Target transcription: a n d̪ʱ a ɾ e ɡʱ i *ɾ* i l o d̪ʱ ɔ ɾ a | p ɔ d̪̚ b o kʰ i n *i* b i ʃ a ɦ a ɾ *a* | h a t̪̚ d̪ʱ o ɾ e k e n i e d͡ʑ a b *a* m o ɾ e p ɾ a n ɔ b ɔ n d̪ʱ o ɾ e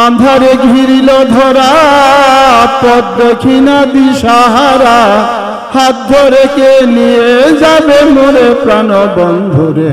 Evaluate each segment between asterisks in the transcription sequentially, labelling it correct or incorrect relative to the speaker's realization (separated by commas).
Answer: correct, incorrect, correct, incorrect